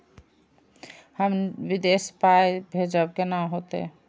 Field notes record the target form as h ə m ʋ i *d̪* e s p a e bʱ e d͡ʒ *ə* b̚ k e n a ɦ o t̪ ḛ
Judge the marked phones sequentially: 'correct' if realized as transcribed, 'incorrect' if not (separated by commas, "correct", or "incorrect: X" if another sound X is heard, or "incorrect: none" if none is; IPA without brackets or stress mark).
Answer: correct, correct